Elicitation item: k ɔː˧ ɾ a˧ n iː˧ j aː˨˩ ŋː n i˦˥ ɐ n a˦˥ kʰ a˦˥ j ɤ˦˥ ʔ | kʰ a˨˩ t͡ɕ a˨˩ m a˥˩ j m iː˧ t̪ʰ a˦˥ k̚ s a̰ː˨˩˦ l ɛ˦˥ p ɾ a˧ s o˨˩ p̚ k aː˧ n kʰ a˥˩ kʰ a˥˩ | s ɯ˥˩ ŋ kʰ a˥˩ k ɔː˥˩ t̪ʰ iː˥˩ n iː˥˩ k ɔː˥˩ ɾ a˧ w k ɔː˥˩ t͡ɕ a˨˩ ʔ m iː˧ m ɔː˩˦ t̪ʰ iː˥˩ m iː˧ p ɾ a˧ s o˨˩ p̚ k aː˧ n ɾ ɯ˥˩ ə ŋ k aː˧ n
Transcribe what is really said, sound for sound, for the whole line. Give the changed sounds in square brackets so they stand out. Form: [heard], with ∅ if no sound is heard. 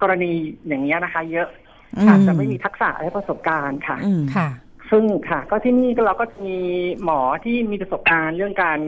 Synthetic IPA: k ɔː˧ ɾ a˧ n iː˧ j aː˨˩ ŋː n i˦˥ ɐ n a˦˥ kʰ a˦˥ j ɤ˦˥ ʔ | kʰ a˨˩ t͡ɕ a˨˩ m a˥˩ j m iː˧ t̪ʰ a˦˥ k̚ s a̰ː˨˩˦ l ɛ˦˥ p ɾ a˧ s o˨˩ p̚ k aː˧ n kʰ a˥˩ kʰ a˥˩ | s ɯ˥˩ ŋ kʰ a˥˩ k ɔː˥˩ t̪ʰ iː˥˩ n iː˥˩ k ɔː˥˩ ɾ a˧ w k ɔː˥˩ t͡ɕ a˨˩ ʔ m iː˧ m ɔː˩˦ t̪ʰ iː˥˩ m iː˧ p ɾ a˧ s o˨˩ p̚ k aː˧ n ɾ ɯ˥˩ ə ŋ k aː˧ n